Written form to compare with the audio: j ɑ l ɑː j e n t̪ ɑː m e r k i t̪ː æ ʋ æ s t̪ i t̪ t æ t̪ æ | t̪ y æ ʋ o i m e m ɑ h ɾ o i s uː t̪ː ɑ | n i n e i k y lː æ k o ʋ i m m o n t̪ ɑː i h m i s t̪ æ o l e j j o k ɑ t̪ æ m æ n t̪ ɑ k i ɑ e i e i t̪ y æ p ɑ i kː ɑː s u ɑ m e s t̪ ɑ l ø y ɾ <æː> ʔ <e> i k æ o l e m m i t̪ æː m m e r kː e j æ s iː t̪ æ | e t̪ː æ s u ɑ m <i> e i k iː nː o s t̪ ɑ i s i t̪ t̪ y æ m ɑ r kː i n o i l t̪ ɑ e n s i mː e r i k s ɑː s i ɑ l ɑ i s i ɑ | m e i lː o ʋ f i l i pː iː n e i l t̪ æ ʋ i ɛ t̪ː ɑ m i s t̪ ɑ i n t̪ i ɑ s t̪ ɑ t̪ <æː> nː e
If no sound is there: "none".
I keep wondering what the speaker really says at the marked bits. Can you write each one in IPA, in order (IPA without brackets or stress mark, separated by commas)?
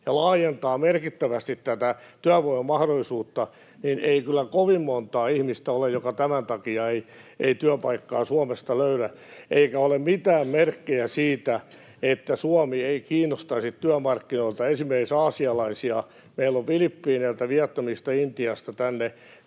æ, e, i, æ